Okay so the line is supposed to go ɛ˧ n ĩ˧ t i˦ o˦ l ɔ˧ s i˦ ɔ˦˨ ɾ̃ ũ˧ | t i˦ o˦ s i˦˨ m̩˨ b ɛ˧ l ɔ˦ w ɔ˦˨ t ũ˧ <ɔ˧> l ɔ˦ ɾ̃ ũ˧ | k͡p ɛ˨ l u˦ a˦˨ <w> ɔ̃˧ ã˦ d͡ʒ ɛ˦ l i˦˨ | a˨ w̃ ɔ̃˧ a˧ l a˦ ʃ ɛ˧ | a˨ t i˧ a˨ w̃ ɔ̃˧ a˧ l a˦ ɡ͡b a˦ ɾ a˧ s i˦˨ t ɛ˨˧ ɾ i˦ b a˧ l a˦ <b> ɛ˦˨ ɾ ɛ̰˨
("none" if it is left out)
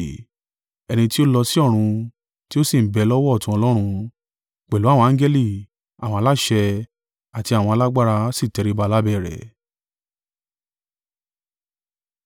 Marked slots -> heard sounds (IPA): ɔ˧, w, b

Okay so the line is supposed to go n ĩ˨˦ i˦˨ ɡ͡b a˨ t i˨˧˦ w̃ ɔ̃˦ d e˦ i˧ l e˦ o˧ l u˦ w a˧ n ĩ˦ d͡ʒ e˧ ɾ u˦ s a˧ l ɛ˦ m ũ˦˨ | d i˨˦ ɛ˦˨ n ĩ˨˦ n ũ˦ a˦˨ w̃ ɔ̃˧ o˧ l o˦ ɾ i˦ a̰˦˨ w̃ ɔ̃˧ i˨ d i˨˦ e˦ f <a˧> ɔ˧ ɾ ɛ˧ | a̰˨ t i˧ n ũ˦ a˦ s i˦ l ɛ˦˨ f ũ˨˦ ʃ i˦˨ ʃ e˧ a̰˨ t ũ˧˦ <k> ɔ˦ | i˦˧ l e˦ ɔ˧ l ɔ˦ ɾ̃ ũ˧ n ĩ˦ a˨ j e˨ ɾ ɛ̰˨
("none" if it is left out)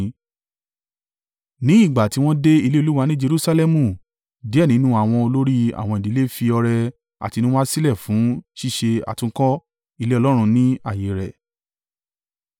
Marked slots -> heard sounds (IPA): i˧, k

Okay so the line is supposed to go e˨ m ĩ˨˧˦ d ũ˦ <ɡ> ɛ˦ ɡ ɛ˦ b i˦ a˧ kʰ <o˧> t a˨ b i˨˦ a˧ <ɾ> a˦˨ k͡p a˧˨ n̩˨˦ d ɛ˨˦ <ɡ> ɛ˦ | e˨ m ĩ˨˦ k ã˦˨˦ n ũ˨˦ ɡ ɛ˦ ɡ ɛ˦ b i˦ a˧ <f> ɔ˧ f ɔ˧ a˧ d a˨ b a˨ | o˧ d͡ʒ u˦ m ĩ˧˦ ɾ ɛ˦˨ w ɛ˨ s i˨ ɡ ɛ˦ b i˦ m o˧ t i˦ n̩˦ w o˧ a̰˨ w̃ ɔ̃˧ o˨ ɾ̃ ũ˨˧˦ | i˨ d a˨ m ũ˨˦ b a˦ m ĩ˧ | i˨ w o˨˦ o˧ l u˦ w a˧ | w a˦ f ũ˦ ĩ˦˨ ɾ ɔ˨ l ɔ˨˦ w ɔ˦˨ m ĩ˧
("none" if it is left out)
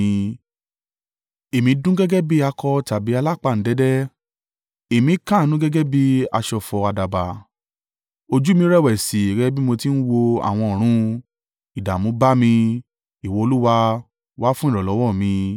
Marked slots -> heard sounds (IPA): ɡ, ɔ˧, l, d, ʃ

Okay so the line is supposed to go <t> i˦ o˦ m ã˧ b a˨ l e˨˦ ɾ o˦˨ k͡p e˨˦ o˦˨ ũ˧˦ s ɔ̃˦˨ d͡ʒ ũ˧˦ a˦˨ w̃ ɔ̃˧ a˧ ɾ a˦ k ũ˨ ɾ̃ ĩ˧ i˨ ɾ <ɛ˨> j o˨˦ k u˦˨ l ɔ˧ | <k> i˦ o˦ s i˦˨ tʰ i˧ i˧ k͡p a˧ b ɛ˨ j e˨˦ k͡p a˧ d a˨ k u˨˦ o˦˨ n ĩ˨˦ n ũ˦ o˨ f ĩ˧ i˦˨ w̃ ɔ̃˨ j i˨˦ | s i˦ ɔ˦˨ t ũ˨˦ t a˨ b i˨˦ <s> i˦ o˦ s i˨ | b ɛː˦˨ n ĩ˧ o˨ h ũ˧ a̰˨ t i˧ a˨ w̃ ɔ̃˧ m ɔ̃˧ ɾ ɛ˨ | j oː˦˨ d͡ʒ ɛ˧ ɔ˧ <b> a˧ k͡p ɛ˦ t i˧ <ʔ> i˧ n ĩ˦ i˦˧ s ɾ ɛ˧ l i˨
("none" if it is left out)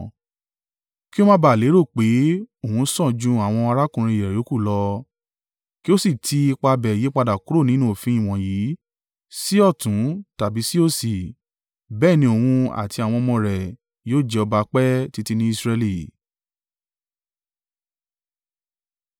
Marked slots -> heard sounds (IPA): k, ɛ˨, k, s, b, t

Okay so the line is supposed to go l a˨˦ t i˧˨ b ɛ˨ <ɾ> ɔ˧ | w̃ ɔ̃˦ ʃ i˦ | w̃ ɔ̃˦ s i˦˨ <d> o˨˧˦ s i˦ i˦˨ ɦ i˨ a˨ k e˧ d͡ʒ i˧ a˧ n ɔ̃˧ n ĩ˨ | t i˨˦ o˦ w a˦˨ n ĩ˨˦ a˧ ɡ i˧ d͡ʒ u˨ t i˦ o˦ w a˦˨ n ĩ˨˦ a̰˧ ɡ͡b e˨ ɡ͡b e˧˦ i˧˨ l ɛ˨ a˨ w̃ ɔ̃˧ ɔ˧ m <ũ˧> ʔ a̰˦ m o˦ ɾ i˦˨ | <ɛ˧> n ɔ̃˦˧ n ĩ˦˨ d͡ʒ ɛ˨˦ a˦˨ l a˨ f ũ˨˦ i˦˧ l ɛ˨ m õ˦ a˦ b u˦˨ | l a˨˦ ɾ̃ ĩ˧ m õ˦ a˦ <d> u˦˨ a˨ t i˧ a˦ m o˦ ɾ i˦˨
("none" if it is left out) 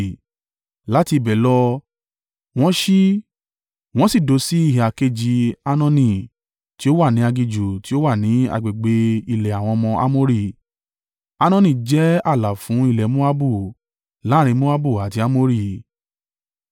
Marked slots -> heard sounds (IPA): l, d, ɔ̃˧, a˧, b

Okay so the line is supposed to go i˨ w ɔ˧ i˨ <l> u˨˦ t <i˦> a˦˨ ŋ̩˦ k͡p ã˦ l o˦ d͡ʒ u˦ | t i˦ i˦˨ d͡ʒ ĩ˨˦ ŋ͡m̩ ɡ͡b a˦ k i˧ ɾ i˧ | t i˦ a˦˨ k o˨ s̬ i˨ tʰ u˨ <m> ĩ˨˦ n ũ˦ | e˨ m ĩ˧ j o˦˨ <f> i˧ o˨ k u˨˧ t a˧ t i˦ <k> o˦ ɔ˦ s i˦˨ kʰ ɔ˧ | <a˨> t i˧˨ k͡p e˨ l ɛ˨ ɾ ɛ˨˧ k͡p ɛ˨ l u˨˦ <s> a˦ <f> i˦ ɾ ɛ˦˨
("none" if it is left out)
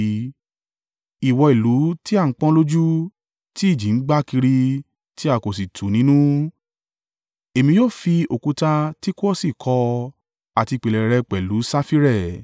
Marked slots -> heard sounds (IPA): l, i˦, n, f, k, a˨, s, f

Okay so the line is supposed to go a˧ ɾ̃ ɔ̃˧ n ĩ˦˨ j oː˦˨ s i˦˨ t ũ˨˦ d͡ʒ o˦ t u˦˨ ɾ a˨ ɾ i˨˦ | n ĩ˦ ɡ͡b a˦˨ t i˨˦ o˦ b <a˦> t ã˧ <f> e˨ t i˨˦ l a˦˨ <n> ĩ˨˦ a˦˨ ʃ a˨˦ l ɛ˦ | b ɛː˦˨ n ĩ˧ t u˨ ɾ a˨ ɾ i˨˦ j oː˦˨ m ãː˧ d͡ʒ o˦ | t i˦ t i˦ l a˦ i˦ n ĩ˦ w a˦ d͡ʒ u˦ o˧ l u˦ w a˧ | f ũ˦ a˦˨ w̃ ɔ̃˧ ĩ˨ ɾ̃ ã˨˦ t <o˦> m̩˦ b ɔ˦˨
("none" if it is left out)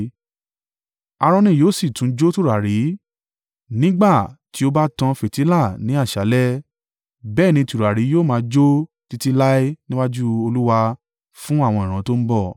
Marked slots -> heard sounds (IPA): a˦, f, n, o˦

